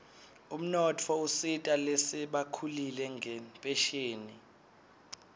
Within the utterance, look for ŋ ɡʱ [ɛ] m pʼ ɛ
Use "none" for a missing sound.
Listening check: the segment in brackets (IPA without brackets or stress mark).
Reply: ɛ